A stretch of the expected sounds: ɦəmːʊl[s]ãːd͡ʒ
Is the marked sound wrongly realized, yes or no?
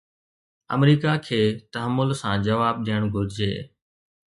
no